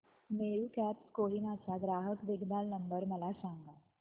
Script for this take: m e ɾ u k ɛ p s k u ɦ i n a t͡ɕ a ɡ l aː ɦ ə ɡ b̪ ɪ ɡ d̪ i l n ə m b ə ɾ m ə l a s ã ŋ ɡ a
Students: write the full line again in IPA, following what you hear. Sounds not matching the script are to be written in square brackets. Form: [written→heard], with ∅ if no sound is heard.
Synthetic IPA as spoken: m e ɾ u k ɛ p s k [u→o] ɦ i n a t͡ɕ a ɡ [l→ɾ] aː ɦ ə [ɡ→k] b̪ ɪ ɡ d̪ [i→a] l n ə m b ə ɾ m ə l a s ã ŋ ɡ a

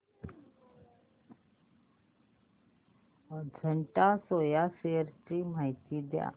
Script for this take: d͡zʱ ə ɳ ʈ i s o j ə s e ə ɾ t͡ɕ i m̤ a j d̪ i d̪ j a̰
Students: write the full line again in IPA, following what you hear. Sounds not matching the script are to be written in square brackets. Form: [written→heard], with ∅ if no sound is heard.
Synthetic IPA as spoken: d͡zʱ ə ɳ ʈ [i→a] s o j [ə→a] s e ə ɾ t͡ɕ i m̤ a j [d̪→t̪] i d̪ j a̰

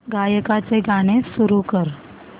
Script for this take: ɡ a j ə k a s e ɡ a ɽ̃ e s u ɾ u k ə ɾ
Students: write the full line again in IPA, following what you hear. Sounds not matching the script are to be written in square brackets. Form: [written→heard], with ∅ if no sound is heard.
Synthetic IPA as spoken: ɡ a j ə k a [s→t͡s] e ɡ a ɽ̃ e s u ɾ u k ə ɾ

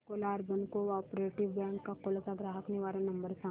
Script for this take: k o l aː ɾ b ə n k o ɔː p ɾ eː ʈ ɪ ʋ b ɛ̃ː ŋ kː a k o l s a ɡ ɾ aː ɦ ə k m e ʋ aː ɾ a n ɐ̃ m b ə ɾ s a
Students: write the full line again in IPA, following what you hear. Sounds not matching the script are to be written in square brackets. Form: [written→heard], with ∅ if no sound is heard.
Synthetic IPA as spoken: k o l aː ɾ b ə n k o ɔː p ɾ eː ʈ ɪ ʋ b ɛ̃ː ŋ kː a k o l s a ɡ ɾ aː ɦ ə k [m→n] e ʋ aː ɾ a n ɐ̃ m b ə ɾ s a

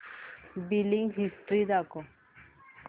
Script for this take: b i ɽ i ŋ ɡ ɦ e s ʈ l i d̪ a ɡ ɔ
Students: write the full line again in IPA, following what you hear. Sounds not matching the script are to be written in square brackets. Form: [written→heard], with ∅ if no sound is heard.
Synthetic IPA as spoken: b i [ɽ→l] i ŋ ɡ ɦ [e→i] s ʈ [l→ɾ] i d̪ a [ɡ→k] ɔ

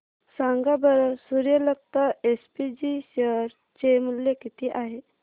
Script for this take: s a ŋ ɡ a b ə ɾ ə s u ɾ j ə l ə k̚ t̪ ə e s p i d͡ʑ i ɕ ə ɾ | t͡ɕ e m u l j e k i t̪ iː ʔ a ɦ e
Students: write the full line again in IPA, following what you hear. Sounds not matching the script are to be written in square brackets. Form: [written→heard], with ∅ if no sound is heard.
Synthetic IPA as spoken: s a ŋ ɡ a b ə ɾ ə s u ɾ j ə l ə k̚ t̪ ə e s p i d͡ʑ i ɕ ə ɾ | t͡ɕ e m u l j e k i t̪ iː ʔ a ɦ e

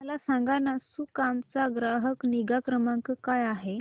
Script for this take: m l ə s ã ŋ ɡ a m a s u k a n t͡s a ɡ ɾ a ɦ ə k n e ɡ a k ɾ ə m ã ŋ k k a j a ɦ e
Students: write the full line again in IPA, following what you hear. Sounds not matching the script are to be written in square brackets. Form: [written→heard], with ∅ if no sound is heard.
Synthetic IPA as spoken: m l [ə→a] s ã ŋ ɡ a [m→n] a s u k a [n→m] t͡s a ɡ ɾ a ɦ ə k n [e→i] ɡ a k ɾ ə m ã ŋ k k a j a ɦ e

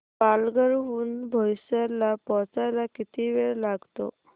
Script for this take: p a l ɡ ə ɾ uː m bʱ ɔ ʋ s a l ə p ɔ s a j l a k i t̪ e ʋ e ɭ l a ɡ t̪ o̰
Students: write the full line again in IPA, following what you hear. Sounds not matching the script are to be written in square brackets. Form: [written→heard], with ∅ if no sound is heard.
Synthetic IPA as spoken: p a l ɡ ə ɾ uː [m→n] bʱ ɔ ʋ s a l [ə→a] p ɔ [s→t͡s] a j l a k i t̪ [e→i] ʋ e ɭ l a ɡ t̪ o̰

